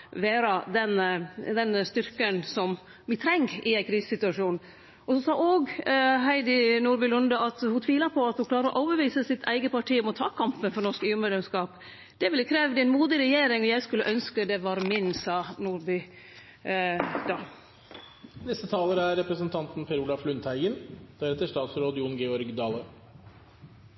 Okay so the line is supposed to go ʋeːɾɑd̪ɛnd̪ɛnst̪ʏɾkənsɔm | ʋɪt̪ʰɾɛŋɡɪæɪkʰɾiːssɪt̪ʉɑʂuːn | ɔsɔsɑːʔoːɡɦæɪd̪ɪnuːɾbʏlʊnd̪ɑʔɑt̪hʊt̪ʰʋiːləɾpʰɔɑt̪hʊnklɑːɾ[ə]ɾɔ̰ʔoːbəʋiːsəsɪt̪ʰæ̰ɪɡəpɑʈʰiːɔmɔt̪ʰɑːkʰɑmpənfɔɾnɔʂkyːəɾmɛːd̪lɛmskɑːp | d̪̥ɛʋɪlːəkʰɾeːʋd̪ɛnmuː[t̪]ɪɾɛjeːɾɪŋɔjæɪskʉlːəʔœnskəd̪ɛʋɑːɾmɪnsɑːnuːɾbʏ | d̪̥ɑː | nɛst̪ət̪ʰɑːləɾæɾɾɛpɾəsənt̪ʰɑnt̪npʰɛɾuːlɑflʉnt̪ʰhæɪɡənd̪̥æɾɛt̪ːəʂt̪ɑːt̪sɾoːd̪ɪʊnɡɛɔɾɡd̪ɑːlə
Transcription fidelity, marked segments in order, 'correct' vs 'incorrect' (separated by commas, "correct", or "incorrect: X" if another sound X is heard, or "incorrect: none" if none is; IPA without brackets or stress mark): correct, incorrect: d̪